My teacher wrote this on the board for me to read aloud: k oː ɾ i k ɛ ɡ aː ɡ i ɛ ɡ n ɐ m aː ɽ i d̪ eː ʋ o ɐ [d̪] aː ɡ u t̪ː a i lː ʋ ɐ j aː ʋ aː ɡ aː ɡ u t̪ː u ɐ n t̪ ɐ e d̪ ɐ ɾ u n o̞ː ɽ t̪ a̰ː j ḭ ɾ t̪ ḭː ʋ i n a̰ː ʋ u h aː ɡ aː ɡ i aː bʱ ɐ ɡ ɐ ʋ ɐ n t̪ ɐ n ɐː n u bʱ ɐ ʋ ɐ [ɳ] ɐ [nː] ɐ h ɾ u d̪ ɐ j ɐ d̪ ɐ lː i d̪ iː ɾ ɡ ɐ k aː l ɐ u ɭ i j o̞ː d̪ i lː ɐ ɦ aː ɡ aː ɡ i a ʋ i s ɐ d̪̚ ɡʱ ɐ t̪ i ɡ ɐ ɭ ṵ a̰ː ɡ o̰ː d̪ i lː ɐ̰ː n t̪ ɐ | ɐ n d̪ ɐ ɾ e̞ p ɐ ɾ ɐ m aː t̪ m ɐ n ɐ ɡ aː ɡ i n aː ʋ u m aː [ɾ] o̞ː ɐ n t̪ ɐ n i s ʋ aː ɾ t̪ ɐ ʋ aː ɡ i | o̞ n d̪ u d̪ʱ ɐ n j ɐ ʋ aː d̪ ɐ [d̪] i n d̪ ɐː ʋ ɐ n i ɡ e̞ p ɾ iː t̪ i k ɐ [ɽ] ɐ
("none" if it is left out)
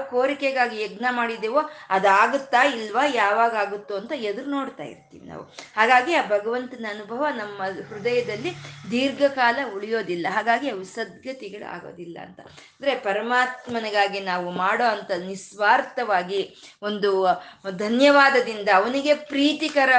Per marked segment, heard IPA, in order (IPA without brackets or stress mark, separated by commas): d̪, n, mː, ɽ, d̪, ɾ